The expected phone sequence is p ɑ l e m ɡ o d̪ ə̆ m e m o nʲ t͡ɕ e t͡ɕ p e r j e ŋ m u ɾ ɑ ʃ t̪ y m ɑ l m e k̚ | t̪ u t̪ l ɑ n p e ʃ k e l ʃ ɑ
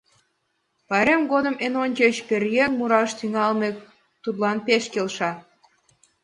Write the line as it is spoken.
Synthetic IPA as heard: p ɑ ɾ e m ɡ o d̪ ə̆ m e n o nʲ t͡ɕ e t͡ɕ p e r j e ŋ m u ɾ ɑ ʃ t̪ y ŋ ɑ l m e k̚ | t̪ u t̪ l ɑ n p e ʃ k e l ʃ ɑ